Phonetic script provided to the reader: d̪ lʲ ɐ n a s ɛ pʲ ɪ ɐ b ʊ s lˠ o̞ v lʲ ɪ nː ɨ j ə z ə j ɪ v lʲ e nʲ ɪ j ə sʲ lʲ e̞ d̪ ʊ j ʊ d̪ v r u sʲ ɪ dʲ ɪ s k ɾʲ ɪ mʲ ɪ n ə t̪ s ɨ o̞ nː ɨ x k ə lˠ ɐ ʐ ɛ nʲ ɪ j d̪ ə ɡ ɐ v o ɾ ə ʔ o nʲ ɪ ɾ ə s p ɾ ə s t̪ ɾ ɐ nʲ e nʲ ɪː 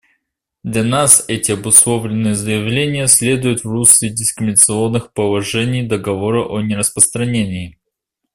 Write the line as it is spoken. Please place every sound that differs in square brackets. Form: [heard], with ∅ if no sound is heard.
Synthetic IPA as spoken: d̪ lʲ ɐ n a s ɛ [tʲ] ɪ ɐ b ʊ s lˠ o̞ v lʲ ɪ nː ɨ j ə z ə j ɪ v lʲ e nʲ ɪ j ə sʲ lʲ e̞ d̪ ʊ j ʊ [t̪] v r u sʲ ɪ dʲ ɪ s k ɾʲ ɪ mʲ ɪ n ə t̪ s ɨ o̞ nː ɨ x [p] ə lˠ ɐ ʐ ɛ nʲ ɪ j d̪ ə ɡ ɐ v o ɾ ə ʔ o nʲ ɪ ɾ ə s p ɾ ə s t̪ ɾ ɐ nʲ e nʲ ɪː